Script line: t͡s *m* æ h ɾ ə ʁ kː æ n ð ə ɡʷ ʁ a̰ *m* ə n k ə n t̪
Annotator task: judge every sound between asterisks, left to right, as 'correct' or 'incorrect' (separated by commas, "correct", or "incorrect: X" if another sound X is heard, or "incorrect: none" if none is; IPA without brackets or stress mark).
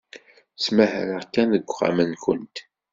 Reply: correct, correct